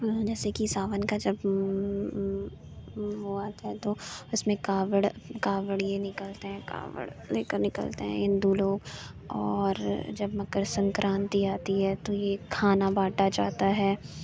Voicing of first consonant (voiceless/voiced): voiced